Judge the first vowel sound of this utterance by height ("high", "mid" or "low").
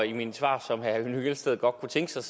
high